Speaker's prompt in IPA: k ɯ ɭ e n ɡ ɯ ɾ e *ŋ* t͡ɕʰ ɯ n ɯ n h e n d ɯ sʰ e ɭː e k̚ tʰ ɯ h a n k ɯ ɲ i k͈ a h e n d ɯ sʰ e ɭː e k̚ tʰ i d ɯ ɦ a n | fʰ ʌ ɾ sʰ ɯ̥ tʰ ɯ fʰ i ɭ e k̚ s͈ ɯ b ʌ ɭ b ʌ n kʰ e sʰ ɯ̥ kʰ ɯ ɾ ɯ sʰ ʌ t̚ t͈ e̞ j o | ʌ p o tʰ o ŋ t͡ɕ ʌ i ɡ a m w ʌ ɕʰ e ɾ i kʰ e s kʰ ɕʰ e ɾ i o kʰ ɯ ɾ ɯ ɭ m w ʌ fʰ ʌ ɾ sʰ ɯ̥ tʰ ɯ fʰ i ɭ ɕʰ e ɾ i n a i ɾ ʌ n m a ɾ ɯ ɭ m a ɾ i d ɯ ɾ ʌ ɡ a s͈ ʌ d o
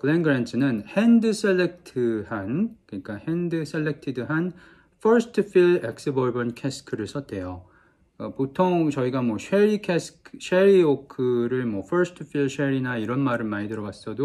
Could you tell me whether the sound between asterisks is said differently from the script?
yes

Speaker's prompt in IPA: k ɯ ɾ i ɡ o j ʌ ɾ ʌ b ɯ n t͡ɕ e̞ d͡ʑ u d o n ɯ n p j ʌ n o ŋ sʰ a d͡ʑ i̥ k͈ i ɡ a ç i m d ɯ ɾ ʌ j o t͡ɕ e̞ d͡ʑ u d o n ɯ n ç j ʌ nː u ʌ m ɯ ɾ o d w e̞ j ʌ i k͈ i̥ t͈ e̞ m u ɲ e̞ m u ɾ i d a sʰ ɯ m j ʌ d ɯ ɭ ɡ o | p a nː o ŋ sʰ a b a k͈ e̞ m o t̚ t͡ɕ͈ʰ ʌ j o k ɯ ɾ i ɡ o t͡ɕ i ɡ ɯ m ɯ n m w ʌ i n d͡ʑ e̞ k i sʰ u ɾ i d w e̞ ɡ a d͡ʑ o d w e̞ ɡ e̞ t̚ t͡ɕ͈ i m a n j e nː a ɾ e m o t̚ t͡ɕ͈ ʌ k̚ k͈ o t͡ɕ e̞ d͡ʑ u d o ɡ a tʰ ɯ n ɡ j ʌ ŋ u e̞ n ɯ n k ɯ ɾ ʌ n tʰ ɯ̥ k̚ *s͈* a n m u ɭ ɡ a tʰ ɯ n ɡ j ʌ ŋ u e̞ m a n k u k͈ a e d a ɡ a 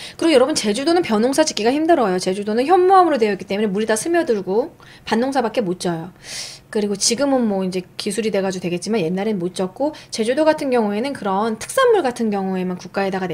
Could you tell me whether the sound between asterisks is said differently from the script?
no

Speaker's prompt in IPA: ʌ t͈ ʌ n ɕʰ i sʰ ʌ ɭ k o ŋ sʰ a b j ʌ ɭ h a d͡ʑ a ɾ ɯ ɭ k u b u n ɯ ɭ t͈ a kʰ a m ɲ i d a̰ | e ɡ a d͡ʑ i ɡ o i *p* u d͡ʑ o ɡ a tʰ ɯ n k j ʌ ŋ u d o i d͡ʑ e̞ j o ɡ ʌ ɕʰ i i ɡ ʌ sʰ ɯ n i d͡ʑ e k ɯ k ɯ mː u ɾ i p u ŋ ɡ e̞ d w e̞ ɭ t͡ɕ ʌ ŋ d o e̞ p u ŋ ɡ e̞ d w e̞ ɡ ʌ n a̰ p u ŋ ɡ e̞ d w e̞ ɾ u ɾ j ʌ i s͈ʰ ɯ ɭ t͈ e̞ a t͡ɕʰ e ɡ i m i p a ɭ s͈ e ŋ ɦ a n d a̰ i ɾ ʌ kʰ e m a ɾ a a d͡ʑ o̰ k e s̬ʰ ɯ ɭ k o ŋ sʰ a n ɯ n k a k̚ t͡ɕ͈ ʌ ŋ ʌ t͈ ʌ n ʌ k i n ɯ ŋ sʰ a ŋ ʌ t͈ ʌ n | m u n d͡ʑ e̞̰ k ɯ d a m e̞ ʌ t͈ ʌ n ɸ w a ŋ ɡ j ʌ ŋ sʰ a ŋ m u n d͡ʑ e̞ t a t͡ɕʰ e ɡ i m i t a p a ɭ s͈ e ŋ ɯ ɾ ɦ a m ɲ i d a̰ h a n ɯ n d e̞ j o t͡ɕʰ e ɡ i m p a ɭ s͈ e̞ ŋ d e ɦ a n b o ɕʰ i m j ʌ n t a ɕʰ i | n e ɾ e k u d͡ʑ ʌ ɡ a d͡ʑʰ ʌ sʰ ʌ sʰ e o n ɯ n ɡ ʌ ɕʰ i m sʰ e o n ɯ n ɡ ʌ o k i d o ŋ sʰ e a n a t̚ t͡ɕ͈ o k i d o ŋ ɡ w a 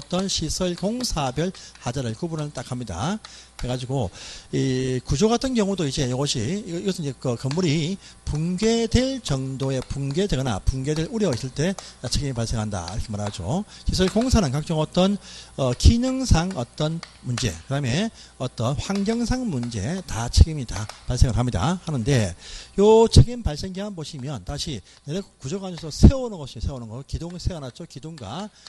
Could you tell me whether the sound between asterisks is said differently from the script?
yes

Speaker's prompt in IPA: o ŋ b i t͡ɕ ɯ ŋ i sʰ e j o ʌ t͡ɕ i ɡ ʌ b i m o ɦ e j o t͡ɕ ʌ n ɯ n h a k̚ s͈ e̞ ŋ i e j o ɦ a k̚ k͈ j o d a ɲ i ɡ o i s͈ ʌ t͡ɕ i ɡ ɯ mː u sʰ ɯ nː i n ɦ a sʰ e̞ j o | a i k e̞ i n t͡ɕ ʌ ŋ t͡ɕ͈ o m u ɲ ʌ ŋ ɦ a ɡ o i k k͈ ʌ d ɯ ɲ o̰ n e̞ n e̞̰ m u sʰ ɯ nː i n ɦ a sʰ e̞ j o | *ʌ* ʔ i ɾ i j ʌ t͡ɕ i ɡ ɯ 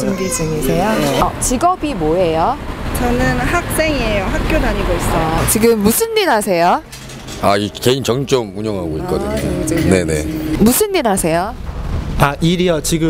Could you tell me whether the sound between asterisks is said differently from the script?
yes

